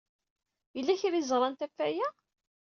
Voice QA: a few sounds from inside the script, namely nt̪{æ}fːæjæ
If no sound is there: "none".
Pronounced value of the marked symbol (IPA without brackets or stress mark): æ